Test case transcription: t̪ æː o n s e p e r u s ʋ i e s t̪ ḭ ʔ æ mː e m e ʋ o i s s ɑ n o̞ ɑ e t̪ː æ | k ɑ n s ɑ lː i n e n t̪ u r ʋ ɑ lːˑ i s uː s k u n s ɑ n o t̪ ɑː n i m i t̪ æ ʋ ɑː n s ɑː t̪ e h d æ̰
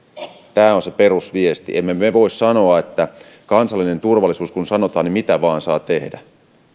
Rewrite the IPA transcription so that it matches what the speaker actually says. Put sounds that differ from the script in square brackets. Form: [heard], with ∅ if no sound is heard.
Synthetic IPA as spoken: t̪ æː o n s e p e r u s ʋ i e s t̪ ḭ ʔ [e] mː e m e ʋ o i s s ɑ n o̞ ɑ e t̪ː æ | k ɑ n s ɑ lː i n e n t̪ u r ʋ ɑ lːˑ i s uː s k u n s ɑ n o t̪ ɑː n i m i t̪ æ ʋ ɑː n s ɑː t̪ e h d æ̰